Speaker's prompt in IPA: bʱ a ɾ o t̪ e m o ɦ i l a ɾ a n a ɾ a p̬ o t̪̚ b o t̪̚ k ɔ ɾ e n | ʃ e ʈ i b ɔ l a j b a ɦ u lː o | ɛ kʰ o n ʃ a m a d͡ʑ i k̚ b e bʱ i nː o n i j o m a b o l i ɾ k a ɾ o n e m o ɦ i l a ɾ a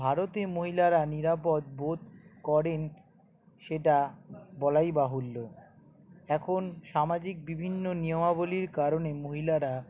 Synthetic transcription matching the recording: bʱ a ɾ o t̪ e m o ɦ i l a ɾ a n i ɾ a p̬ o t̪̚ b o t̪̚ k ɔ ɾ e n | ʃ e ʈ a b ɔ l a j b a ɦ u lː o | ɛ kʰ o n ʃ a m a d͡ʑ i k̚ b i bʱ i nː o n i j o m a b o l i ɾ k a ɾ o n e m o ɦ i l a ɾ a